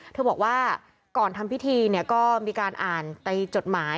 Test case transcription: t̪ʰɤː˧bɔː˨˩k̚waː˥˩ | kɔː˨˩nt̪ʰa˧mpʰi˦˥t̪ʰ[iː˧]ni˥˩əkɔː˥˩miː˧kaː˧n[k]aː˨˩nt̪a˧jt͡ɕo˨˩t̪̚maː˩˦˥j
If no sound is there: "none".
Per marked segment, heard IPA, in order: iː˧, ʔ

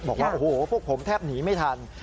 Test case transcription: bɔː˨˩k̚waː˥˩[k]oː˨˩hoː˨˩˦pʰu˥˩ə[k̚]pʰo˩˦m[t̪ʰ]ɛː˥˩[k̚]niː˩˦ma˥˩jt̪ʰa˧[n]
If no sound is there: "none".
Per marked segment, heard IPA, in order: ʔ, k̚, t̪ʰ, p̚, n

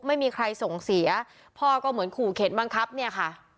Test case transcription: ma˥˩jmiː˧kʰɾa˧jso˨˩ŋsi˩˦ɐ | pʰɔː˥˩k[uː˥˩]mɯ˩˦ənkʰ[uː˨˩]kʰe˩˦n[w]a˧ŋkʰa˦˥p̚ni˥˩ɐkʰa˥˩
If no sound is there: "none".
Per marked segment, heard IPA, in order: ɔː˥˩, uː˨˩, b

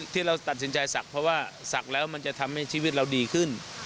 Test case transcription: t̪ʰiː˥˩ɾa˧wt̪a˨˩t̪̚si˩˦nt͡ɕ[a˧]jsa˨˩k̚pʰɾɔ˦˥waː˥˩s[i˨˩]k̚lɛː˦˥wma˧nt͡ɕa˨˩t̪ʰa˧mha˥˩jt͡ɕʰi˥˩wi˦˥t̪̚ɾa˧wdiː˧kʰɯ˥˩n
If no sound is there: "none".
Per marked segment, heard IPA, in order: a˧, a˨˩

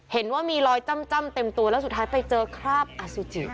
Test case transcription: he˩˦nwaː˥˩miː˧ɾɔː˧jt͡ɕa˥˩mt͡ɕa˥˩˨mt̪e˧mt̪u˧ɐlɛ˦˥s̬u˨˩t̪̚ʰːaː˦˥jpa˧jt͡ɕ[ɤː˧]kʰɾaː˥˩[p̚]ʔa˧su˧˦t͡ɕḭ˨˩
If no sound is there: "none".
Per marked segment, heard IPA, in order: ɤː˧, p̚

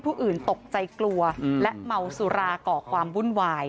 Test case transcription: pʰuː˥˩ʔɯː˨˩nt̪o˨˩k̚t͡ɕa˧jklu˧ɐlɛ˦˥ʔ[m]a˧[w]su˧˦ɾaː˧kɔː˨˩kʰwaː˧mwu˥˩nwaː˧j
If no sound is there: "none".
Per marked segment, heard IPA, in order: m, w

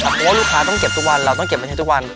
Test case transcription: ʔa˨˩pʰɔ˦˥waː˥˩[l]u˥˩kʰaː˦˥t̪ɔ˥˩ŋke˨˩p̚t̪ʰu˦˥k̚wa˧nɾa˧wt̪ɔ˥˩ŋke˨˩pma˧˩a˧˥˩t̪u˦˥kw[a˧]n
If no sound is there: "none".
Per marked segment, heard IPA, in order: l, a˧

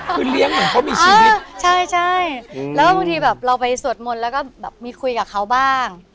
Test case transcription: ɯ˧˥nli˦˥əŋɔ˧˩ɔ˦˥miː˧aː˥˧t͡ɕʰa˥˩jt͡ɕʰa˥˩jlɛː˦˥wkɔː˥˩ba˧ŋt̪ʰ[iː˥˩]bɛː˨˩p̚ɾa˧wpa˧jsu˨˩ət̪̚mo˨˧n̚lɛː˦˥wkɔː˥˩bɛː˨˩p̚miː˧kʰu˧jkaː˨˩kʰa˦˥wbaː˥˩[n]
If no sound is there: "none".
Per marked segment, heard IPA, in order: iː˧, ŋ

